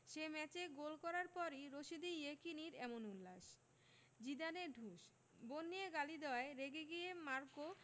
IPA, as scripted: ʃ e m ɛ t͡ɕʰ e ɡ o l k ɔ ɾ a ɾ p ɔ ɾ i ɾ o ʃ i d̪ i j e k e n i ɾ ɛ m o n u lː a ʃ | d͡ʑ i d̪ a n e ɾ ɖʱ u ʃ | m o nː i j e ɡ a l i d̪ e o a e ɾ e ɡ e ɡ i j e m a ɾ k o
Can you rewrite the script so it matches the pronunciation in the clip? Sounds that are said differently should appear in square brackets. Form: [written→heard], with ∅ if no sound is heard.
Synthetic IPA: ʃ e m ɛ [t͡ɕʰ→t͡ɕ] e ɡ o l k ɔ ɾ a ɾ p ɔ ɾ i ɾ o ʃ i d̪ i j e k [e→i] n i ɾ ɛ m o n u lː a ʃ | d͡ʑ i d̪ a n e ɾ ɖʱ u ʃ | [m→b] o nː i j e ɡ a l i d̪ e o a e ɾ e ɡ e ɡ i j e m a ɾ k o